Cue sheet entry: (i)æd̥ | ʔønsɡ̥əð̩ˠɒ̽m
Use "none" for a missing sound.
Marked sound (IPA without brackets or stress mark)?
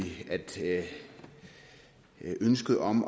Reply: i